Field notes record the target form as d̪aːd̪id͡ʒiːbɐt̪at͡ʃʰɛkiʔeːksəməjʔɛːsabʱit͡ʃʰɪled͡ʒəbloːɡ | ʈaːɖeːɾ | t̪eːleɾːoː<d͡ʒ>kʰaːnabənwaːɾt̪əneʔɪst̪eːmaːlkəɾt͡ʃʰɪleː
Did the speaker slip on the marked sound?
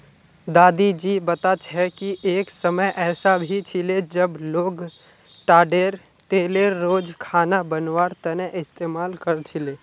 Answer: no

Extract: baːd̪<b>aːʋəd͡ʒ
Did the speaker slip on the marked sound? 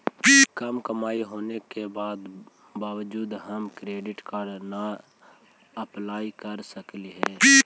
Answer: no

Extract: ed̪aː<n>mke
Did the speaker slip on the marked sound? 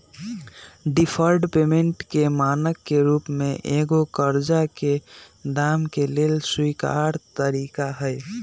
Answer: yes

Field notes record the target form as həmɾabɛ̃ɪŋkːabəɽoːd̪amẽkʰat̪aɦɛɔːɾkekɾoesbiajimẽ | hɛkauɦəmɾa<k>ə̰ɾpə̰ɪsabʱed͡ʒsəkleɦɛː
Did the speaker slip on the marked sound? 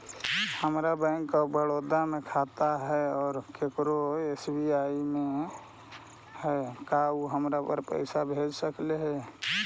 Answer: yes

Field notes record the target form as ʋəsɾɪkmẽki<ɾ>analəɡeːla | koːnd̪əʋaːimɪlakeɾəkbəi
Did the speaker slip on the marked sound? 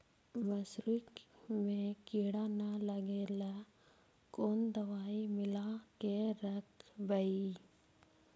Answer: yes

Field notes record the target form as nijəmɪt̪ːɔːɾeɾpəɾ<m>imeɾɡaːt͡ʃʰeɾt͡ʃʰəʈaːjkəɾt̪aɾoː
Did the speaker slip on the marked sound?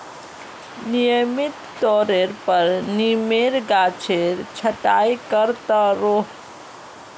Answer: yes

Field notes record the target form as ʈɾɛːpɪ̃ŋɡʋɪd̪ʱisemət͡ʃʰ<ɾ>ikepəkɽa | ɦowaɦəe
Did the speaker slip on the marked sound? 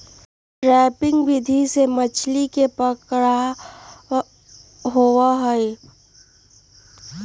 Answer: yes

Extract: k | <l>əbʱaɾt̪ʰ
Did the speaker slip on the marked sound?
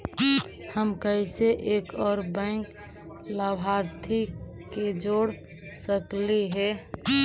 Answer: no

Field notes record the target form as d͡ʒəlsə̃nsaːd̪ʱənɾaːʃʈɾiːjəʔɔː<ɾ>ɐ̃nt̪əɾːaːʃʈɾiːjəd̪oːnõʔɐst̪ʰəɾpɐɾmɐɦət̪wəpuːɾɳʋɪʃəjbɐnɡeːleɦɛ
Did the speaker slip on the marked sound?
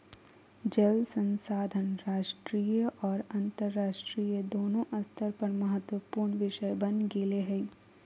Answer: no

